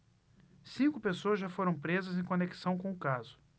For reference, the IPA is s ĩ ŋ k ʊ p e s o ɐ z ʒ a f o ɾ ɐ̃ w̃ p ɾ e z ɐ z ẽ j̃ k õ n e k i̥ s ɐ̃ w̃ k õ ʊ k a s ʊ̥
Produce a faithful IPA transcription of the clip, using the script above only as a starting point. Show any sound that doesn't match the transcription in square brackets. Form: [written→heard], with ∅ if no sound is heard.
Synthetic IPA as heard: s ĩ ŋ k ʊ p e s o ɐ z ʒ a f o ɾ ɐ̃ w̃ p ɾ e z ɐ z ẽ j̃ k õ n e k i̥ s ɐ̃ w̃ k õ ʊ k a [s→z] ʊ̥